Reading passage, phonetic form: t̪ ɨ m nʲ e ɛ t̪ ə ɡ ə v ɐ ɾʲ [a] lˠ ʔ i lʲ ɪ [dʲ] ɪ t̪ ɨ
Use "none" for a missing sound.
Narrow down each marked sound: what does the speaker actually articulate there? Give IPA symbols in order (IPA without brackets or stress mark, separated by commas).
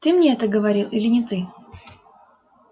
i, nʲ